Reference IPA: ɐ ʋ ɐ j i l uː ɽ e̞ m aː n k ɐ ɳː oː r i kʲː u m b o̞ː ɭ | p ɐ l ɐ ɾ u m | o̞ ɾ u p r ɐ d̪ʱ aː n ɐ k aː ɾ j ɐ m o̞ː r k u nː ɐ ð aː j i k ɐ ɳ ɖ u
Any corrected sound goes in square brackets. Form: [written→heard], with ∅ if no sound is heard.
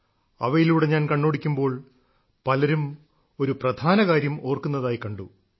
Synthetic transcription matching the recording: ɐ ʋ ɐ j i l uː ɽ e̞ [m→ɲ] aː n k ɐ ɳː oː [r→ɽ] i kʲː u m b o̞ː ɭ | p ɐ l ɐ ɾ u m | o̞ ɾ u p r ɐ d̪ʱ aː n ɐ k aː ɾ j ɐ m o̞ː r k u nː ɐ ð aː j i k ɐ ɳ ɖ u